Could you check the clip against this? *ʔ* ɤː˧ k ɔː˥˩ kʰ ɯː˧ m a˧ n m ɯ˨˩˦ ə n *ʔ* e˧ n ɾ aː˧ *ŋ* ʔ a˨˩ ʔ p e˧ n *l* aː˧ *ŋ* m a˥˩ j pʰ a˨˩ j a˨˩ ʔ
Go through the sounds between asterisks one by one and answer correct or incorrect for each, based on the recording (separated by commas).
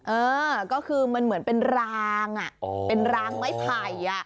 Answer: correct, incorrect, correct, incorrect, correct